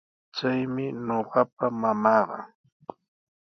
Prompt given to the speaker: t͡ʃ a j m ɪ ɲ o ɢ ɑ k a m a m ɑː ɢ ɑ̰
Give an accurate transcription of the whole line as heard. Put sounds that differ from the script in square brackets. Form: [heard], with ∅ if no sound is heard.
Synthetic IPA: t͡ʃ a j m ɪ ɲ o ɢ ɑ [p] a m a m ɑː ɢ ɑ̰